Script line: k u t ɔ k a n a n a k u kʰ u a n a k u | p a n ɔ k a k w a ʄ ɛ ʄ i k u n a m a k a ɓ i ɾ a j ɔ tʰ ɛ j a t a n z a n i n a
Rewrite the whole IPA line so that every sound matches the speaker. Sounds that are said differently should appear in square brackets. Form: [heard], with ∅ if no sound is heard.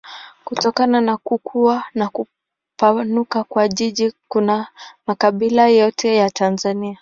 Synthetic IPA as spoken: k u t ɔ k a n a n a k u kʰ u a n a k u | p a n [u] k a k w a ʄ [i] ʄ i k u n a m a k a ɓ i [l] a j ɔ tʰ ɛ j a t a n z a n i [∅] a